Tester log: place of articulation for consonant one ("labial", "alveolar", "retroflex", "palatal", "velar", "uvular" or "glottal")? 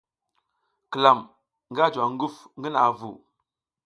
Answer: velar